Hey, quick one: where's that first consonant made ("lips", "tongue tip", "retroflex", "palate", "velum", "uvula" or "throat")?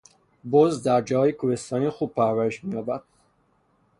lips